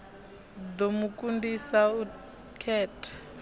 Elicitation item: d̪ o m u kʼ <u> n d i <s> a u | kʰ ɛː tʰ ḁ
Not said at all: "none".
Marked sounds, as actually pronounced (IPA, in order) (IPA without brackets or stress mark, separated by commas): u, s